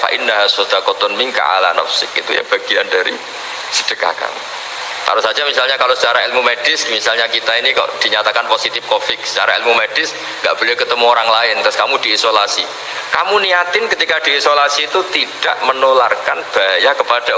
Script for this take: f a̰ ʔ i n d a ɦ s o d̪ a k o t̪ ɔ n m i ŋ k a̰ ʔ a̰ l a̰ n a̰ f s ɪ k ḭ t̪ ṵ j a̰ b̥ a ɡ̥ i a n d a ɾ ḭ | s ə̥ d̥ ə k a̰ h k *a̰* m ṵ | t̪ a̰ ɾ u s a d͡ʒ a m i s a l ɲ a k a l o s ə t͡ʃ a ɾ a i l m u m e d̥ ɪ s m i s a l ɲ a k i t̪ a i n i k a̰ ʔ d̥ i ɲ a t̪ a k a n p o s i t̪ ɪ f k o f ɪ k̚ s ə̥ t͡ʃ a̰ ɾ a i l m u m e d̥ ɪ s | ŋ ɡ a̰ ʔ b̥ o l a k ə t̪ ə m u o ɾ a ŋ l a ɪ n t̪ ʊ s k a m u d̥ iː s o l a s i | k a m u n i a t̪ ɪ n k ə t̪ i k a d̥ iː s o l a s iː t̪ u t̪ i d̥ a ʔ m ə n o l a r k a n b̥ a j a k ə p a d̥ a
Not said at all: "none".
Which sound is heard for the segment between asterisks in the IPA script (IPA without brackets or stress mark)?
a̰